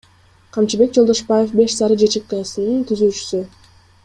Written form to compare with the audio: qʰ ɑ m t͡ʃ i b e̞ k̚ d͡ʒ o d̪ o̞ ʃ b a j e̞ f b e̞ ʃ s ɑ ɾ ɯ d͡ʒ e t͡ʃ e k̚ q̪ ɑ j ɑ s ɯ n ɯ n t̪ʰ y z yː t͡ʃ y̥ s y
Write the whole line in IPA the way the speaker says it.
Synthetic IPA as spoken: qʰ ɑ m t͡ʃ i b e̞ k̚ d͡ʒ o d̪ o̞ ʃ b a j e̞ f b e̞ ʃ s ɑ ɾ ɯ d͡ʒ e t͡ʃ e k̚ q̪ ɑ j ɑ s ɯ n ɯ n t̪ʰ y z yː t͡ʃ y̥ s y

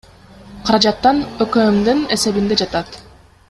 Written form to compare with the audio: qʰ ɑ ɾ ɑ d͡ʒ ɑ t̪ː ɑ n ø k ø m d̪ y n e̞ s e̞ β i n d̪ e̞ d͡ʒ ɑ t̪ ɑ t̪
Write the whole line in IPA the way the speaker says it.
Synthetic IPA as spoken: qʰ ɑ ɾ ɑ d͡ʒ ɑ t̪ː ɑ n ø k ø m d̪ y n e̞ s e̞ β i n d̪ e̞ d͡ʒ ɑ t̪ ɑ t̪

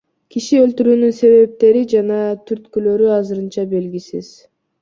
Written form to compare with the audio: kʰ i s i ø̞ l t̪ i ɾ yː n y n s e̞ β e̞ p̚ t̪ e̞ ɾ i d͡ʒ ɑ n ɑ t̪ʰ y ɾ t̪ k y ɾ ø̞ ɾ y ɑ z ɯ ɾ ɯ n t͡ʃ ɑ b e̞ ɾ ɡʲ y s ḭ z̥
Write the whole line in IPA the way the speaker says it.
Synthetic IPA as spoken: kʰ i ʃ i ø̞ l t̪ y ɾ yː n y n s e̞ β e̞ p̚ t̪ e̞ ɾ i d͡ʒ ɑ n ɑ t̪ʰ y ɾ t̪ k y l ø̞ ɾ y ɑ z ɯ ɾ ɯ n t͡ʃ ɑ b e̞ l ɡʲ i s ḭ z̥

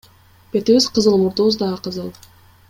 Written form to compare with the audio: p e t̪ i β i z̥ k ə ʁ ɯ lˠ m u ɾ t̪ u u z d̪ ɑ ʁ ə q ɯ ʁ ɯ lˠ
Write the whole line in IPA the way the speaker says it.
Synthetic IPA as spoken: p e t̪ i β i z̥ q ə z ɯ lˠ m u ɾ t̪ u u z d̪ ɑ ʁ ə q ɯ z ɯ lˠ

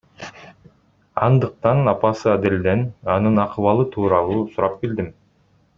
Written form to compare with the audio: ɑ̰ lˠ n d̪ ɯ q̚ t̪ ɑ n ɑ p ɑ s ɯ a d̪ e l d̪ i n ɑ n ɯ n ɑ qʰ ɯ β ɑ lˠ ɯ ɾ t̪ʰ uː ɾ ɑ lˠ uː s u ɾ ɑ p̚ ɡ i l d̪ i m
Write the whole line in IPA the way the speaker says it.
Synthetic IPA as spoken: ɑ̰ n d̪ ɯ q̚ t̪ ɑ n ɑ p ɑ s ɯ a d̪ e l d̪ e n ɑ n ɯ n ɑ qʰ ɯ β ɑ lˠ ɯ t̪ʰ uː ɾ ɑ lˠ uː s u ɾ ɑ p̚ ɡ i l d̪ i m

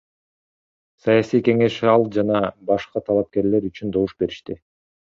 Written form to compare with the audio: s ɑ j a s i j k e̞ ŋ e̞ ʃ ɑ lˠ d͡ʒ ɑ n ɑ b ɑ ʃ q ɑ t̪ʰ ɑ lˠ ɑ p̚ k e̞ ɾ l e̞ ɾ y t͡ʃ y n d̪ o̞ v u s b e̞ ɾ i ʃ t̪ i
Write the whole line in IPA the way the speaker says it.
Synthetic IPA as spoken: s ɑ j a s i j k e̞ ŋ e̞ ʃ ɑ lˠ d͡ʒ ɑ n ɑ b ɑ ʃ q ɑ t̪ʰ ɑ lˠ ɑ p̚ k e̞ ɾ l e̞ ɾ y t͡ʃ y n d̪ o̞ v u ʃ b e̞ ɾ i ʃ t̪ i

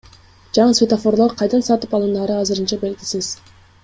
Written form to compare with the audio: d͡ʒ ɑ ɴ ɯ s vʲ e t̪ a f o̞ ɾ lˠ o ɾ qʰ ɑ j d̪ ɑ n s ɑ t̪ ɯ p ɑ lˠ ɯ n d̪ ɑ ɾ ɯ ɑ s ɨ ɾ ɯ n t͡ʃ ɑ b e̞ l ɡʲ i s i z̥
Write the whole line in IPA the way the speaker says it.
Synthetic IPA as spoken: d͡ʒ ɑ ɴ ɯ s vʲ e t̪ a f o̞ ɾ lˠ o ɾ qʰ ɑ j d̪ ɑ n s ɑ t̪ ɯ p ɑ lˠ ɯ n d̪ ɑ ɾ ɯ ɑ z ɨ ɾ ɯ n t͡ʃ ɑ b e̞ l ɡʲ i s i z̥

